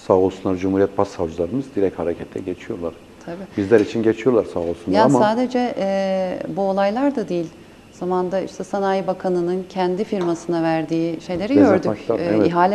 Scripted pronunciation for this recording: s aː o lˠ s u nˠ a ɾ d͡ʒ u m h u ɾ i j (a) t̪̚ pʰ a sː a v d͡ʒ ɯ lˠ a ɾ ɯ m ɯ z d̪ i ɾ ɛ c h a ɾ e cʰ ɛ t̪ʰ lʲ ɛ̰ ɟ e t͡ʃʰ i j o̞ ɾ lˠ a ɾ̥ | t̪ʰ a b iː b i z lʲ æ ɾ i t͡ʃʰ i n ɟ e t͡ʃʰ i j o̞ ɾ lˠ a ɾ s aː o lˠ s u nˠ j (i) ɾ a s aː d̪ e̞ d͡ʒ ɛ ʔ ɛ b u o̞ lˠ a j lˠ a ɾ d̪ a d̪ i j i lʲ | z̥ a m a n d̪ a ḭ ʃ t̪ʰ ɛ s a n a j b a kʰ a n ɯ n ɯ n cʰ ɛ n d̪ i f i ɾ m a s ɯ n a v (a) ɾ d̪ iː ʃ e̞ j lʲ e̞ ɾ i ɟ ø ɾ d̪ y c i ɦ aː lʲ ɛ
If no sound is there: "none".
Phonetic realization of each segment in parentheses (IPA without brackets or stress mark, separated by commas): ɛ, a, æ